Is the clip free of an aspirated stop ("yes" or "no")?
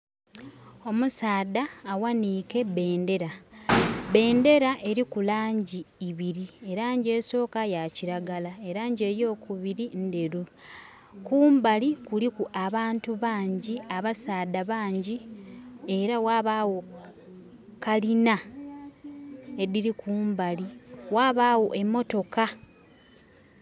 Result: yes